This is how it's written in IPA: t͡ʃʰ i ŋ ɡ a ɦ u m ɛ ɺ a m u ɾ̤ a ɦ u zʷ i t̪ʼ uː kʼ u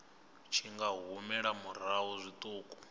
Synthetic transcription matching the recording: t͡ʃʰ i ŋ ɡ a ɦ u m ɛ ɺ a m u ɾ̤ a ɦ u zʷ i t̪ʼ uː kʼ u